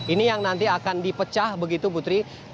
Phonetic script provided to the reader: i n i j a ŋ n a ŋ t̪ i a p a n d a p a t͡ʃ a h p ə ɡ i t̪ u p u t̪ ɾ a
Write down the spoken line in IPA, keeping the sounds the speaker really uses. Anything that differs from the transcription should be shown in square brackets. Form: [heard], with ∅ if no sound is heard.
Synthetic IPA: i n i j a ŋ n a [n] t̪ i a [k] a n d [i] p [ə] t͡ʃ a h [b] ə ɡ i t̪ u p u t̪ ɾ [i]